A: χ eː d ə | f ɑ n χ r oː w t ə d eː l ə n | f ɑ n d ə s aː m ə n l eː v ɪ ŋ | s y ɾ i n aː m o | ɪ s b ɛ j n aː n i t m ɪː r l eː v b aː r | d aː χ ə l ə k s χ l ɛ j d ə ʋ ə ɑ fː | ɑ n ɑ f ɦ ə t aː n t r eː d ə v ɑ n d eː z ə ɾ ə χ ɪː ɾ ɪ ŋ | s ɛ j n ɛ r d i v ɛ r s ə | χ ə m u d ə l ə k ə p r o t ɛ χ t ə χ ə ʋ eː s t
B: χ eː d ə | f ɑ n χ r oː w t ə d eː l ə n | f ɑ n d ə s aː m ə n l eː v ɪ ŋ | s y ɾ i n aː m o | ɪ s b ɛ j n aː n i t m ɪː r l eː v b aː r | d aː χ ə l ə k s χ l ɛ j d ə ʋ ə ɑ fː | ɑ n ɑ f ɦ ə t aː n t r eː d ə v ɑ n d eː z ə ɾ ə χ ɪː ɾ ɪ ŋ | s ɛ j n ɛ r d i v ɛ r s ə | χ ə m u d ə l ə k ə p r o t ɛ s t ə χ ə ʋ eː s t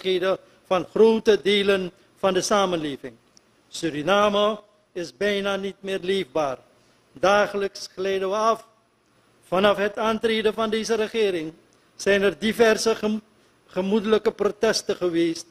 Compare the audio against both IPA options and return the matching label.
B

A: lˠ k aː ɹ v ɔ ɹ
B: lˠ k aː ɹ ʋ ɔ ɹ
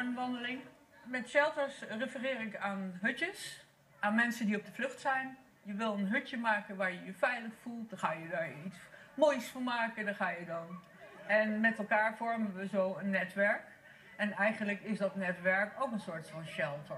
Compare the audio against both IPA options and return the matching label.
A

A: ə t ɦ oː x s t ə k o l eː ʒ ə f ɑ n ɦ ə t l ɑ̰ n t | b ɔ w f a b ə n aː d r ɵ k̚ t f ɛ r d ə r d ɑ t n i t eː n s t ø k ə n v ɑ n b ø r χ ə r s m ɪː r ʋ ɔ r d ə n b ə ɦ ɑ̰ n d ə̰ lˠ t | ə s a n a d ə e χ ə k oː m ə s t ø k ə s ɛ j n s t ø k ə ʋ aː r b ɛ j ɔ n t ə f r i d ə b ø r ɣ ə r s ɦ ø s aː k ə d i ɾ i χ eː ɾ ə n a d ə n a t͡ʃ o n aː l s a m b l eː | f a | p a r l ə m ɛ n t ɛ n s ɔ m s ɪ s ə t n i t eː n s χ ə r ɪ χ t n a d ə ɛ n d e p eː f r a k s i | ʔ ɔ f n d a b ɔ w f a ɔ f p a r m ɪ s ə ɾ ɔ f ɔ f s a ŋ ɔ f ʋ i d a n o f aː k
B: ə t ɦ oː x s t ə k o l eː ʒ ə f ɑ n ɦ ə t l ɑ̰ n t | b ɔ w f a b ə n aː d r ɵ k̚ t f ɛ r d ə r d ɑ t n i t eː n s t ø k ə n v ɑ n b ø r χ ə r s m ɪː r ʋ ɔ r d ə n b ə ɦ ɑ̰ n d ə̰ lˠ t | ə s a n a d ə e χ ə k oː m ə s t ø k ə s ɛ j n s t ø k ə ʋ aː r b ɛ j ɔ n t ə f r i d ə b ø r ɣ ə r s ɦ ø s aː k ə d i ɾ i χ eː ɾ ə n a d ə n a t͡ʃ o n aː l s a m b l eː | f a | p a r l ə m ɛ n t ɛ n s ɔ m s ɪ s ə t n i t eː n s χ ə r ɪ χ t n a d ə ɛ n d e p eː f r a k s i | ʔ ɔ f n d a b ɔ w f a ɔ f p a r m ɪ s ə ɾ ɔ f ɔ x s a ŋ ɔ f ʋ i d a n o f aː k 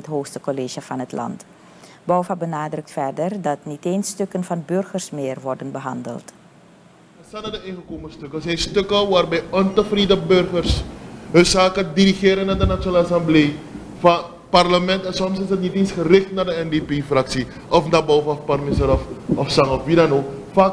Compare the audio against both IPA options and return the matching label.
A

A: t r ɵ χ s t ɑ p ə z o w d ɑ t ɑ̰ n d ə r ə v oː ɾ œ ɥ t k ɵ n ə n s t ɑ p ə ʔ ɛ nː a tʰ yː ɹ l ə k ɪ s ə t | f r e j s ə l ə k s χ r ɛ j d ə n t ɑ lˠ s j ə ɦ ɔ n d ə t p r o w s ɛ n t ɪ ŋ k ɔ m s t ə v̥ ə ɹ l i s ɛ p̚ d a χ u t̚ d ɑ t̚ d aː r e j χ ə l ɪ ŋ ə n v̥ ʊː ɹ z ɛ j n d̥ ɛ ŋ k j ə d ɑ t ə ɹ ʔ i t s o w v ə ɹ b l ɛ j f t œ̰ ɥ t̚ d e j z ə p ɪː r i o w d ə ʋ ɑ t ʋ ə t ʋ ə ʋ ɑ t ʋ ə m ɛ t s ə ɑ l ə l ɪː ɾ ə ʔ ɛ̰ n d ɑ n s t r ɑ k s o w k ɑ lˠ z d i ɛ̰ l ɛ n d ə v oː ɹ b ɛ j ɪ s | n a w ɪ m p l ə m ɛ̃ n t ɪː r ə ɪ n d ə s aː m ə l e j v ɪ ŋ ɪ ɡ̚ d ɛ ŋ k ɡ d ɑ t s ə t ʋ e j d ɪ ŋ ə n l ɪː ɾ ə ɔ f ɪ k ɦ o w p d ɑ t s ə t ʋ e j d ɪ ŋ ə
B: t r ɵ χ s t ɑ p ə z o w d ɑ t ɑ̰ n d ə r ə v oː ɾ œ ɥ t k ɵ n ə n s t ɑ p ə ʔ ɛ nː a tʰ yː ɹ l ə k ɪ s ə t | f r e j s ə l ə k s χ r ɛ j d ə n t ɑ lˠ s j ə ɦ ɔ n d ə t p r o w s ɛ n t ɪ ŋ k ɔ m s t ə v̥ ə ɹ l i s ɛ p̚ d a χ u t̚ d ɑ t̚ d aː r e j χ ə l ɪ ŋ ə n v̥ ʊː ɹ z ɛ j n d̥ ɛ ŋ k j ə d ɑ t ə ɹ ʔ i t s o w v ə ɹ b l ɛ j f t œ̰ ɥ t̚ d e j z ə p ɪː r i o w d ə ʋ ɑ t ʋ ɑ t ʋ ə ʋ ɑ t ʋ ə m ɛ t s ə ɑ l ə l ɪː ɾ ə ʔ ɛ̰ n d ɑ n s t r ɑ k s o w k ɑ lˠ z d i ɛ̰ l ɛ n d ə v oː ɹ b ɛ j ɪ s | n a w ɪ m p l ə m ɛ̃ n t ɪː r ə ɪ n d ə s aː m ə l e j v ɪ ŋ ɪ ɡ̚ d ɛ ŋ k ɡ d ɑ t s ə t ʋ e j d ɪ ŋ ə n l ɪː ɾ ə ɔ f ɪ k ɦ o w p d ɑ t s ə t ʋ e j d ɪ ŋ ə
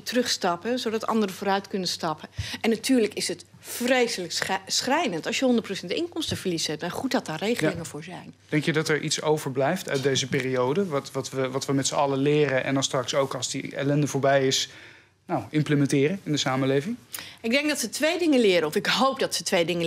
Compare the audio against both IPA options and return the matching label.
B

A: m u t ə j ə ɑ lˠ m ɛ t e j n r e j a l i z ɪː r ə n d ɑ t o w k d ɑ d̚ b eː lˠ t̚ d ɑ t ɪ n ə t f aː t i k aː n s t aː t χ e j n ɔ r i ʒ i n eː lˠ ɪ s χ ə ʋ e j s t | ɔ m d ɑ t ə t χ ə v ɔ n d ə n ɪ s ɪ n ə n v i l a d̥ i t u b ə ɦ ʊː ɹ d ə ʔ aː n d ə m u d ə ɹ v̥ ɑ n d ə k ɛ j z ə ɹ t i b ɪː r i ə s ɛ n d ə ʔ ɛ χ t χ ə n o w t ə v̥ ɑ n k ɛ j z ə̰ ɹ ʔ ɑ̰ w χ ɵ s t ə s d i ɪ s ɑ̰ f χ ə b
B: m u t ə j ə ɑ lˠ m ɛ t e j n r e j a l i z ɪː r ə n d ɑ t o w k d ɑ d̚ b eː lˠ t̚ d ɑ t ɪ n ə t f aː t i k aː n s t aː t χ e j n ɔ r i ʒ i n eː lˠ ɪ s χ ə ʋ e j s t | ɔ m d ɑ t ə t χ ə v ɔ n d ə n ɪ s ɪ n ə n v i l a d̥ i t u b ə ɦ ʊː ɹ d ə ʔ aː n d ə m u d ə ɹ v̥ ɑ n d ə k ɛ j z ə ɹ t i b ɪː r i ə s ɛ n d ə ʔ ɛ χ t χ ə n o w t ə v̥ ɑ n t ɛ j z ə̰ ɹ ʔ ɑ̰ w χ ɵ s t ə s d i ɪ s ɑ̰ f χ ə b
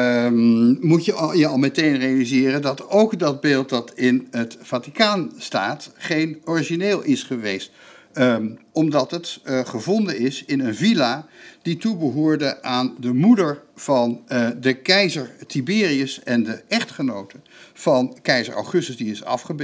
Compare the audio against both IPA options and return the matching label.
A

